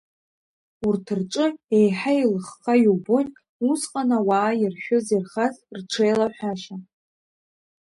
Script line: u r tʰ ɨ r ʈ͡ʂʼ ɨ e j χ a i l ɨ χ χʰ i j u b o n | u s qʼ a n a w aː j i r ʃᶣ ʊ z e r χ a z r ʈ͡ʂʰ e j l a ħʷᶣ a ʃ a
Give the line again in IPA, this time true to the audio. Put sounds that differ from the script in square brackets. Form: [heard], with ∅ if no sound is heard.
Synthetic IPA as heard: u r tʰ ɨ r ʈ͡ʂʼ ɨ e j [ħ] a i l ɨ χ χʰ [a] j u b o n | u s qʼ a n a w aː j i r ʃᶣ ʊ z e r χ a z r ʈ͡ʂʰ e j l a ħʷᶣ a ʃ a